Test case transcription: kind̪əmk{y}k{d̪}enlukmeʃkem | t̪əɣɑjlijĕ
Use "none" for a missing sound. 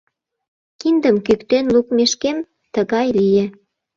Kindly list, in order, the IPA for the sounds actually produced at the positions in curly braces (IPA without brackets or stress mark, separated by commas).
y, t̪